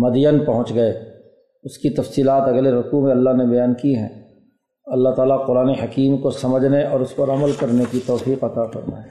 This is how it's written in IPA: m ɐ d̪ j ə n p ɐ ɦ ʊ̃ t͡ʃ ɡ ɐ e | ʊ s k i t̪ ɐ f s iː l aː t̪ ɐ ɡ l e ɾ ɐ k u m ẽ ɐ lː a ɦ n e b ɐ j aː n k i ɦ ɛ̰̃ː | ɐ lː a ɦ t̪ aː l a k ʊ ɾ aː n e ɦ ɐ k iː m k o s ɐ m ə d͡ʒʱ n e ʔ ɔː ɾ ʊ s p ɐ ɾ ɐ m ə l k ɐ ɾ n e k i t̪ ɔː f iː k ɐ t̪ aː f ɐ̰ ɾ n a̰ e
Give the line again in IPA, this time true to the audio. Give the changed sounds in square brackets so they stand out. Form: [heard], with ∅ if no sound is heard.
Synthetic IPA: m ɐ d̪ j ə n p ɐ ɦ ʊ̃ t͡ʃ ɡ ɐ e | ʊ s k i t̪ ɐ f s iː l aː t̪ ɐ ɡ l e ɾ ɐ k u m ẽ ɐ lː a ɦ n e b ɐ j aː n k i ɦ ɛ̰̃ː | ɐ lː a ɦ t̪ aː l a [q] ʊ ɾ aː n e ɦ ɐ k iː m k o s ɐ m ə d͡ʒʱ n e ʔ ɔː ɾ ʊ s p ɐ ɾ ɐ m ə l k ɐ ɾ n e k i t̪ ɔː f iː [q] ɐ t̪ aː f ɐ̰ ɾ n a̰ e